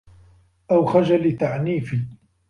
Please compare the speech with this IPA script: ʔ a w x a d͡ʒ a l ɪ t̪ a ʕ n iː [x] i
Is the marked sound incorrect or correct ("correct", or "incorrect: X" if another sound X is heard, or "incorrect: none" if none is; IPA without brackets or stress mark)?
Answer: incorrect: f